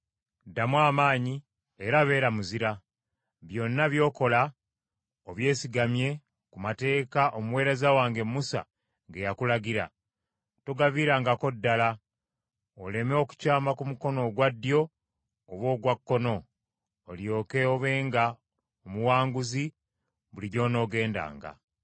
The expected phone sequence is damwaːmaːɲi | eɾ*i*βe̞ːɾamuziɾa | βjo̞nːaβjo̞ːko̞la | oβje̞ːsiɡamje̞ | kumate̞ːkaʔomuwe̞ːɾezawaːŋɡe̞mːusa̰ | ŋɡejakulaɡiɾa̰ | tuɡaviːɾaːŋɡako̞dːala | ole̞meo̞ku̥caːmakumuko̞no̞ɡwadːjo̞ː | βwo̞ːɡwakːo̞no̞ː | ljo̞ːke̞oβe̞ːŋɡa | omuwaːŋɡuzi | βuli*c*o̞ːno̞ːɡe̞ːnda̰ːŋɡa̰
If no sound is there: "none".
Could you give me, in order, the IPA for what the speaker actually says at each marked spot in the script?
a, ɟ

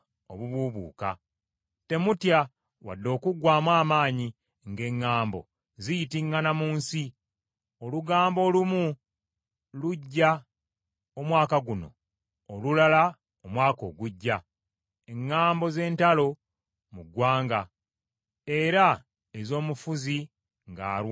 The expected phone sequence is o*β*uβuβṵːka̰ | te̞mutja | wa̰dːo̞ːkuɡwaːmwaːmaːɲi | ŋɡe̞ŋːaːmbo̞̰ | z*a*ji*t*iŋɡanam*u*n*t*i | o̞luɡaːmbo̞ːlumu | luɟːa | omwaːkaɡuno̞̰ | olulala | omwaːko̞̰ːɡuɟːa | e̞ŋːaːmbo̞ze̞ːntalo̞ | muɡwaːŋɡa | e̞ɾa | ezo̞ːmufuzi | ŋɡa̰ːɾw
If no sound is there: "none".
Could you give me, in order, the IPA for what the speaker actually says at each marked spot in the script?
β, i, t, uː, s

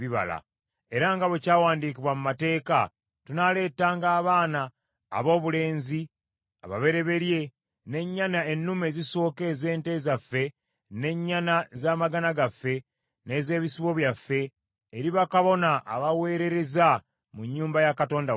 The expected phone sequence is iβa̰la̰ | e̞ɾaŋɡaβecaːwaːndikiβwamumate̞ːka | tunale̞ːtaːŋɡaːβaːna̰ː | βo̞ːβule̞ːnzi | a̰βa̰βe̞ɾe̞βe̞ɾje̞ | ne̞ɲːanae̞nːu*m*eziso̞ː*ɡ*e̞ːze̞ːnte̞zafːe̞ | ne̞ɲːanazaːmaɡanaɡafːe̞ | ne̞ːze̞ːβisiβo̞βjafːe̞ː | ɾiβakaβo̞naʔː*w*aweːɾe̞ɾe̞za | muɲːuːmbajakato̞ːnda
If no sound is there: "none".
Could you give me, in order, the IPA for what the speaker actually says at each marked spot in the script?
m, k, β

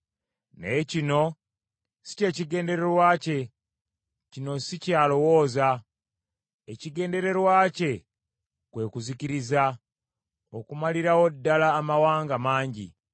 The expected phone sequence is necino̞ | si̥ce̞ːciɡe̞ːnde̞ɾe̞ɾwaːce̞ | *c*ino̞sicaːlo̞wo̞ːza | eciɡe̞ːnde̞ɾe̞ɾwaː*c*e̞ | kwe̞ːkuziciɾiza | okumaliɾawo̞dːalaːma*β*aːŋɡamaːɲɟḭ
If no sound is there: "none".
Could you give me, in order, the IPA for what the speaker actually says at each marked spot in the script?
c, c, w

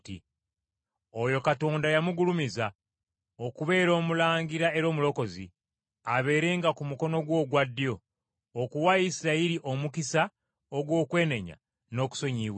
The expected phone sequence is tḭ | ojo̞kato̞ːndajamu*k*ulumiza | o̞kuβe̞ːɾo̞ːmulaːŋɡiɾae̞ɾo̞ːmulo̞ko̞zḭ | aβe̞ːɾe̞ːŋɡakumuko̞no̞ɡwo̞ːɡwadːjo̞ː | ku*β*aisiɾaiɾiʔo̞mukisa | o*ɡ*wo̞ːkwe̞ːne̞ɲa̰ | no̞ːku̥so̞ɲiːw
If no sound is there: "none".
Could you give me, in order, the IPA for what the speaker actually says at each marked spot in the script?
ɡ, w, ɡ

